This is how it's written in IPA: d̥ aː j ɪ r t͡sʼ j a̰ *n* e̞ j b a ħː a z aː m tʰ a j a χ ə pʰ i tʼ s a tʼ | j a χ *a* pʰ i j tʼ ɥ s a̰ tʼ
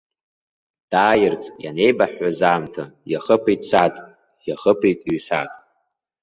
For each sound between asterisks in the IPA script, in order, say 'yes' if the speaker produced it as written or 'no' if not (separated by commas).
yes, no